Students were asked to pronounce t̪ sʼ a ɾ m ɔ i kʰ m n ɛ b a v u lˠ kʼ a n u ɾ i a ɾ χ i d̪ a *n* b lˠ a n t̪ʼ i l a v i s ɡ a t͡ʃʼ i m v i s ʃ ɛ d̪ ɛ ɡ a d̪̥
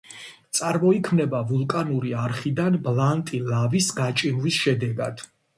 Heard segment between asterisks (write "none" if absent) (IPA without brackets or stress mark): n